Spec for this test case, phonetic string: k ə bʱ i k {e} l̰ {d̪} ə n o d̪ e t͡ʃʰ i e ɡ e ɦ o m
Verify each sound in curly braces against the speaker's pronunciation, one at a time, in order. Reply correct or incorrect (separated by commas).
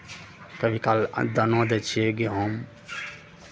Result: incorrect, correct